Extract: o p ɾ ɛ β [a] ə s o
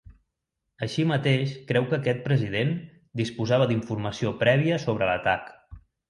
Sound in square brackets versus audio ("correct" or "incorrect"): incorrect